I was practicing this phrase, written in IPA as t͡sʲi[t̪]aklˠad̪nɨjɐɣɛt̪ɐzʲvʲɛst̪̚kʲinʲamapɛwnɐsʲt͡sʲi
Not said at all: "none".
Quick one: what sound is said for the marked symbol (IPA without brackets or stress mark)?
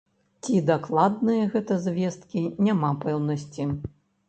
d̪